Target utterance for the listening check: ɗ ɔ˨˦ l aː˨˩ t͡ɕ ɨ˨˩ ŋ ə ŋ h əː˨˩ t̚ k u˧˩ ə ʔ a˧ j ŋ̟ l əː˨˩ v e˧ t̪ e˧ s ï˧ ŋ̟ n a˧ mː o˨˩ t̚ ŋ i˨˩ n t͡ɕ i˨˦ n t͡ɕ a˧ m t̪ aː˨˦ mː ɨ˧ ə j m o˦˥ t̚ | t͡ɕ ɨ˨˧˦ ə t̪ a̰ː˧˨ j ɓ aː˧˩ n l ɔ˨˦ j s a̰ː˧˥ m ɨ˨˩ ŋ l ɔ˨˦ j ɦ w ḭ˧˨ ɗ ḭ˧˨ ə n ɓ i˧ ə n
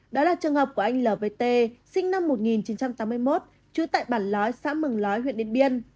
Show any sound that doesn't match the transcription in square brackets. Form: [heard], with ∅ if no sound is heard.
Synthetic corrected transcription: ɗ ɔ˨˦ l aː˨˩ t͡ɕ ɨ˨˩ [∅] ə ŋ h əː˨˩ [p̚] k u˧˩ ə ʔ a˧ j ŋ̟ l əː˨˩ v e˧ t̪ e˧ s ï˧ ŋ̟ n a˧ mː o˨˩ t̚ ŋ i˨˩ n t͡ɕ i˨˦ n t͡ɕ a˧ m t̪ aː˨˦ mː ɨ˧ ə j m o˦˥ t̚ | t͡ɕ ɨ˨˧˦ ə t̪ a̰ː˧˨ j ɓ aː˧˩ n l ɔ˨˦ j s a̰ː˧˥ m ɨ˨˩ ŋ l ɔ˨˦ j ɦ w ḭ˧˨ ɗ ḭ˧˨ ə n ɓ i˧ ə n